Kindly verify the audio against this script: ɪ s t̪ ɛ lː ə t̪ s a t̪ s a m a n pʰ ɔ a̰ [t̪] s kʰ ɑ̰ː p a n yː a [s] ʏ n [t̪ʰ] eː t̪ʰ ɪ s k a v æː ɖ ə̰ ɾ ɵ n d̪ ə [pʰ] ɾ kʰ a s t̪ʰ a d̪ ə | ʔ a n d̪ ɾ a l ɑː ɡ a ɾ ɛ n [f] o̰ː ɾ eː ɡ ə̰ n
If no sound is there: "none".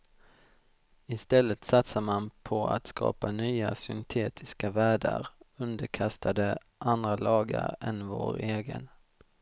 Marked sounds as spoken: t̪, s, t̪ʰ, none, v

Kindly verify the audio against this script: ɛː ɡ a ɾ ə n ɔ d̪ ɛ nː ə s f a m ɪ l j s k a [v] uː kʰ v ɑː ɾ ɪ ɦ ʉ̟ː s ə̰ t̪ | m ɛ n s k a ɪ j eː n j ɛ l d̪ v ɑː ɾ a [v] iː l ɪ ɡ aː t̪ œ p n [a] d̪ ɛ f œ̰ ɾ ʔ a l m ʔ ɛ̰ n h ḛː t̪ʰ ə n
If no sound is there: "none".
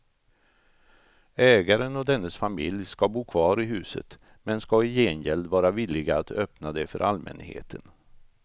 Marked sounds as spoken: b, v, a

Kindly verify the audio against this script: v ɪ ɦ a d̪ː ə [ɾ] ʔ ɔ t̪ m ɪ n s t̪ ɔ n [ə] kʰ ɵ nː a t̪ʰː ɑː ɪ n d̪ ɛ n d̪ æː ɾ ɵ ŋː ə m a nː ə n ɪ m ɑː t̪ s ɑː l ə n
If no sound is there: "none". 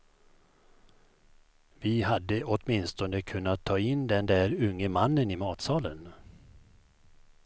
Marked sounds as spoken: none, ə

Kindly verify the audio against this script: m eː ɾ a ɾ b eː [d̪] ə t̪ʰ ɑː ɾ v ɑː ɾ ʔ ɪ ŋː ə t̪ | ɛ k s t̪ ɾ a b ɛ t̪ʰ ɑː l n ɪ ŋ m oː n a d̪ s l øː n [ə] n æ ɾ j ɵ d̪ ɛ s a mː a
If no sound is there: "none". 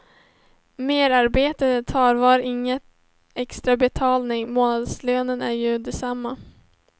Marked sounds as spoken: t̪, ə

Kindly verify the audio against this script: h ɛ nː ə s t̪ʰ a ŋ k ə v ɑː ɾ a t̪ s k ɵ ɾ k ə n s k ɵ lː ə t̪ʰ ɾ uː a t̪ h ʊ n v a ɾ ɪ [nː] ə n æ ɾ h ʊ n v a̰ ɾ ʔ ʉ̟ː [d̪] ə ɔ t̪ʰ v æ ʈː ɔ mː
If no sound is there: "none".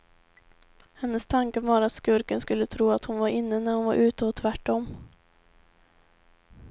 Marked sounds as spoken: nː, t̪

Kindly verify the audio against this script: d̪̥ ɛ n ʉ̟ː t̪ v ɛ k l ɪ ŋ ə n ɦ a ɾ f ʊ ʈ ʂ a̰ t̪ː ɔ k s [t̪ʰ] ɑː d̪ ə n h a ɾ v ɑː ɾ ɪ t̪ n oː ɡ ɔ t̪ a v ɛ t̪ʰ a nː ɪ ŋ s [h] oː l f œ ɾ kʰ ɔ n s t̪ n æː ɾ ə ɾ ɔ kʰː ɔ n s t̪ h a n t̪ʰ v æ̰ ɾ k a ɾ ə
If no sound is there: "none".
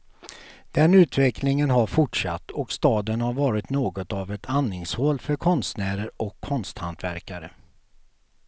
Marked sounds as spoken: t̪, h

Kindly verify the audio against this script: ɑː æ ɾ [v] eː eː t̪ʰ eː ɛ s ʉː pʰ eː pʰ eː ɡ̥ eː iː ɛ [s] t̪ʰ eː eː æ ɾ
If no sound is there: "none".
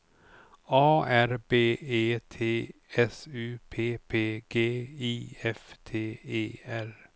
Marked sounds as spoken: b, f

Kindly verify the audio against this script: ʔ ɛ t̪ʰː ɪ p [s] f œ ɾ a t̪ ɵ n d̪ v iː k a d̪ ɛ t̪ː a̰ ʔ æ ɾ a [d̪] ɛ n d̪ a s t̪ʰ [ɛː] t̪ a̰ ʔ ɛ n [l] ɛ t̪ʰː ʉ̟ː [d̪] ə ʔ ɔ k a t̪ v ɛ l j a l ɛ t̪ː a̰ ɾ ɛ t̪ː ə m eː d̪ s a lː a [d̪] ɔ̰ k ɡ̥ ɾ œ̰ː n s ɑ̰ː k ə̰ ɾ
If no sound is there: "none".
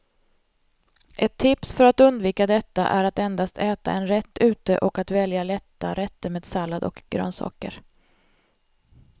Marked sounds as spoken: s, t̪, ɛː, ɾ, t̪, d̪

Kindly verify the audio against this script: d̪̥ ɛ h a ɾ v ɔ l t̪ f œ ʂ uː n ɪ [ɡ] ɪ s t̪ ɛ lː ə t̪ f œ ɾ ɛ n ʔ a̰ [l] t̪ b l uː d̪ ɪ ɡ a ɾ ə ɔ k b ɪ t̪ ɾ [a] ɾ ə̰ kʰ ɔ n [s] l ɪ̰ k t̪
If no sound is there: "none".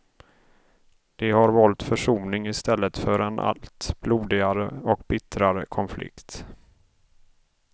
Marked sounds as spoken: ŋ, l, a, f

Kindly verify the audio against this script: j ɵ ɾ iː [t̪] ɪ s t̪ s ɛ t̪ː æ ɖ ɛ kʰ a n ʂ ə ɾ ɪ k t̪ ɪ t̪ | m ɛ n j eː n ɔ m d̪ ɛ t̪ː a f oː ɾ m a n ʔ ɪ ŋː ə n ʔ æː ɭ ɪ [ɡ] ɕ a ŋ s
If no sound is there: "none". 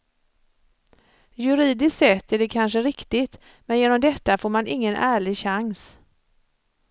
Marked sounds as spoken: d̪, ɡ

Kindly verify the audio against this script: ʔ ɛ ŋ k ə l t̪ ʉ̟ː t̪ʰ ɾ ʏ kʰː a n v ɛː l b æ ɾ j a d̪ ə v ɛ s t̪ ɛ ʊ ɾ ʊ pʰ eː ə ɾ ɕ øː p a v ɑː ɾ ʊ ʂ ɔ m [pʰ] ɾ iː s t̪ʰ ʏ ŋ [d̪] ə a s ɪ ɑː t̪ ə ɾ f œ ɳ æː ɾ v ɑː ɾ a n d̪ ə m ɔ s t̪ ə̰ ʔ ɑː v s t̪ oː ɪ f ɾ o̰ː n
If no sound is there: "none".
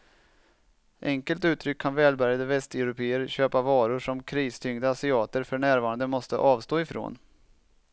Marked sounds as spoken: kʰ, d̪

